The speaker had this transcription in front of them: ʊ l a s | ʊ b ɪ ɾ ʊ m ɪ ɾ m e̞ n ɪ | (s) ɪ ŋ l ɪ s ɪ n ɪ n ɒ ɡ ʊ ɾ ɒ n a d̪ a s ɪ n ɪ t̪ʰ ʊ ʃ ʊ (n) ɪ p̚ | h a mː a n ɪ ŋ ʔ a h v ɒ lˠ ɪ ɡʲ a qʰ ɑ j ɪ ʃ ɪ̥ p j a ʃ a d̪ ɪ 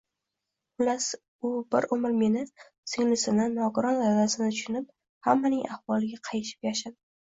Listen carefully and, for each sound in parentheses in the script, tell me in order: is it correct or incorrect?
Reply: correct, correct

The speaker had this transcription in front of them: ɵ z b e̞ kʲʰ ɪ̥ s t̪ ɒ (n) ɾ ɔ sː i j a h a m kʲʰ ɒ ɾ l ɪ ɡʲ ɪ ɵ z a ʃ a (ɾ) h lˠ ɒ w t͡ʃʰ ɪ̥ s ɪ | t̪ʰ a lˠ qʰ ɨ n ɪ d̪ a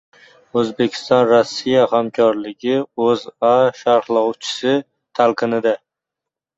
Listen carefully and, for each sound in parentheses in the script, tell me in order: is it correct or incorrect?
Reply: correct, correct

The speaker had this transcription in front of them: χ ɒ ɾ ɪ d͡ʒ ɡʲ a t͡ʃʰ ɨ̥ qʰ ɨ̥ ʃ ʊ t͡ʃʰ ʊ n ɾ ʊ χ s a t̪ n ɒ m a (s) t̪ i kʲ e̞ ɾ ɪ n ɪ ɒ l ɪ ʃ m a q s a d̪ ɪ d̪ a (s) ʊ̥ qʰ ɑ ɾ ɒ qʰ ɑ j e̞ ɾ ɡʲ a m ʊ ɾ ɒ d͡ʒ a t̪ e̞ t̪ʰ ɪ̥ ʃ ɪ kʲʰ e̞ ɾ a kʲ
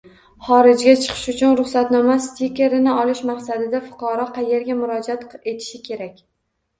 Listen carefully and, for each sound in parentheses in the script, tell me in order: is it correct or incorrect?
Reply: correct, incorrect: f

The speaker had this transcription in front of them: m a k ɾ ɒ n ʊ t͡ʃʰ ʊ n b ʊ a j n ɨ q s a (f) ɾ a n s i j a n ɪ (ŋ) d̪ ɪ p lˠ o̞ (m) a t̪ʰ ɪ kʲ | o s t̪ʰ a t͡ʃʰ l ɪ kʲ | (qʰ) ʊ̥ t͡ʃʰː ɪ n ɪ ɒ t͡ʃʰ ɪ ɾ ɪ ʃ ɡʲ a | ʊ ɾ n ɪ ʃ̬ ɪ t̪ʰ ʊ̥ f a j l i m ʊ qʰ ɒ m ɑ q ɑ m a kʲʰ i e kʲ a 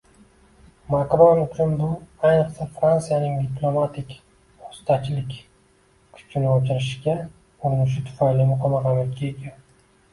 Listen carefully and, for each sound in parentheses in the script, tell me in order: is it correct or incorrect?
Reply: correct, correct, correct, incorrect: kʰ

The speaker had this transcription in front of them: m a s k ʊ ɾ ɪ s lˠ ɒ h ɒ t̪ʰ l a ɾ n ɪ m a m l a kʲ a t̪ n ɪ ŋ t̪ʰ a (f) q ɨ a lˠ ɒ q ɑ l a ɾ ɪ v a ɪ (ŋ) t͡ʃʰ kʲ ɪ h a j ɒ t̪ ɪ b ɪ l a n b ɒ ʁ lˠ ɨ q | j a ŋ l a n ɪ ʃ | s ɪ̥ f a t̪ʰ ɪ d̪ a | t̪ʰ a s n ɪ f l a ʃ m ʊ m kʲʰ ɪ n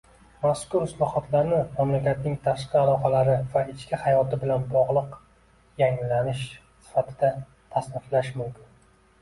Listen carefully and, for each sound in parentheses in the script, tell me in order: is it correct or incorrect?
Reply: incorrect: ʃ, incorrect: none

